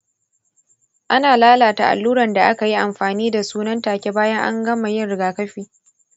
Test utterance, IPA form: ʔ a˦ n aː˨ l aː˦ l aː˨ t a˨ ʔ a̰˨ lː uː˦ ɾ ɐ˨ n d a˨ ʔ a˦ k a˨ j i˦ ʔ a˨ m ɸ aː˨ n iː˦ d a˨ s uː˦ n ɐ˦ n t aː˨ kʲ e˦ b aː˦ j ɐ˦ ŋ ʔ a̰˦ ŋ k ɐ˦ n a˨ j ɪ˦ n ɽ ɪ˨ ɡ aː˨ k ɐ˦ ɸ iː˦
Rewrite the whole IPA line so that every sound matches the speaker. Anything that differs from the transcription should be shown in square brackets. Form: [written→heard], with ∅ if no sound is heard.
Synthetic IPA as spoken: ʔ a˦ n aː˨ l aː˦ l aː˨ t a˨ ʔ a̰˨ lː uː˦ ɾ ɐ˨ n d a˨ ʔ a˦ k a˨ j i˦ ʔ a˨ m ɸ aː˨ n iː˦ d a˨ s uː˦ n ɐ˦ n t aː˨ kʲ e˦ b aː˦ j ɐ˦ ŋ ʔ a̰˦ ŋ [k→ɡ] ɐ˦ [n→m] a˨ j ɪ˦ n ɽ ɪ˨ ɡ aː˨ k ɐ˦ ɸ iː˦